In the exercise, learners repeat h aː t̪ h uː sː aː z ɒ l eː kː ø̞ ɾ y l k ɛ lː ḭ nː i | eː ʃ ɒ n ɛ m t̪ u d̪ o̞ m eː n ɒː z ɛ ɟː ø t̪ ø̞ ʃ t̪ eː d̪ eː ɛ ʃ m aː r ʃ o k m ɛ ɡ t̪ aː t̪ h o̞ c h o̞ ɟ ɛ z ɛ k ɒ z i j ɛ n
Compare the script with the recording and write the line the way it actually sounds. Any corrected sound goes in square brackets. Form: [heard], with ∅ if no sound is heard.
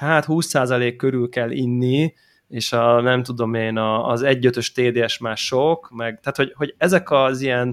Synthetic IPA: h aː t̪ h uː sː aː z ɒ l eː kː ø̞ ɾ y l k ɛ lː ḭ nː i | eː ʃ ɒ n ɛ m t̪ u d̪ o̞ m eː n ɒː z ɛ ɟː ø t̪ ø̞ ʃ t̪ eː d̪ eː ɛ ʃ m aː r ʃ o k m ɛ ɡ t̪ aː t̪ h o̞ [ɟ] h o̞ ɟ ɛ z ɛ k ɒ z i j ɛ n